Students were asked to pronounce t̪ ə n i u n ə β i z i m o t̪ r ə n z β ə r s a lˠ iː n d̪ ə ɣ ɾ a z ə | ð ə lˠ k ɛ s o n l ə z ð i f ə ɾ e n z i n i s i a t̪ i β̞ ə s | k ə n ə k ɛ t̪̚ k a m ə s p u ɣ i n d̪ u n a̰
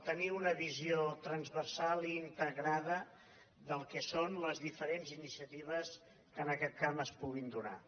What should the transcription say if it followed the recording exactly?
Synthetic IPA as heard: t̪ ə n i u n ə β i z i o t̪ ɾ ə n z β ə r s a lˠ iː n t̪ ə ɣ ɾ a ð ə | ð ə lˠ k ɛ s o n l ə z ð i f ə ɾ e n z i n i s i ə t̪ i β̞ ə s | k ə n ə k ɛ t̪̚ k a m ə s p u ɣ i n d̪ u n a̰